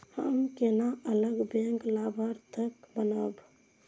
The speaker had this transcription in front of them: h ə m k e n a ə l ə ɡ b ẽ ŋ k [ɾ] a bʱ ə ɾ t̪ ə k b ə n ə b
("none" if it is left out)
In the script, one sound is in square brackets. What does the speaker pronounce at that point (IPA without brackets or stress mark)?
l